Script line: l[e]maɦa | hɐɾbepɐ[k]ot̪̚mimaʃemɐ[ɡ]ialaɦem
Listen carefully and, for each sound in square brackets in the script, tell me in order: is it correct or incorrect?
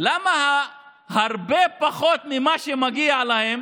incorrect: a, incorrect: x, correct

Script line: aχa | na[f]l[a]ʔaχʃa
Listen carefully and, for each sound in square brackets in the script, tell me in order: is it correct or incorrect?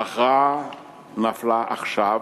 correct, correct

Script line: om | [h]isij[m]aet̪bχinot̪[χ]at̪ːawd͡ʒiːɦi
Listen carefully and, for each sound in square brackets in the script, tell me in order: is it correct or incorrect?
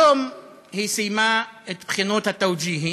correct, correct, incorrect: h

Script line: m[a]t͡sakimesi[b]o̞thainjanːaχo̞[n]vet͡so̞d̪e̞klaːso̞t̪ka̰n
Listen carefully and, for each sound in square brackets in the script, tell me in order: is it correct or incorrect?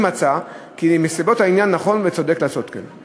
correct, correct, correct

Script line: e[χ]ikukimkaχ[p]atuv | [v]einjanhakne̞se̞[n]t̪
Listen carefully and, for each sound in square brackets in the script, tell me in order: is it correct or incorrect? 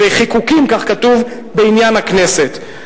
correct, incorrect: k, incorrect: b, incorrect: none

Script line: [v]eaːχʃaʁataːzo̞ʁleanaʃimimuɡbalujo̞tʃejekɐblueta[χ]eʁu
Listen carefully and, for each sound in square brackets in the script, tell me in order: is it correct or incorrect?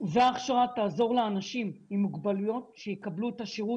correct, incorrect: ʃ

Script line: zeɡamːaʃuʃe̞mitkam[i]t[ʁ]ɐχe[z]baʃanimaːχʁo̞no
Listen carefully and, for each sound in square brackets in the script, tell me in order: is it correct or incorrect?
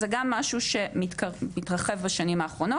correct, correct, incorrect: v

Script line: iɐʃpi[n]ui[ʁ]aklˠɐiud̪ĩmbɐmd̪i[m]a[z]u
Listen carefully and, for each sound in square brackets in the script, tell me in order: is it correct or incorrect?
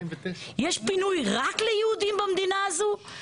correct, correct, incorrect: n, correct

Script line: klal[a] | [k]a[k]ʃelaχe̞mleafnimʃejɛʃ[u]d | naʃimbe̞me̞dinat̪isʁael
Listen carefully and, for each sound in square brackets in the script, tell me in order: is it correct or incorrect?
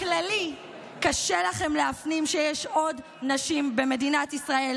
incorrect: i, correct, incorrect: none, incorrect: o

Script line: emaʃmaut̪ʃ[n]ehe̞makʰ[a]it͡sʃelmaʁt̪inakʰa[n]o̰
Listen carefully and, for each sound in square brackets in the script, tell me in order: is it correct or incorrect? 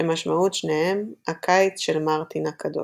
correct, correct, incorrect: d

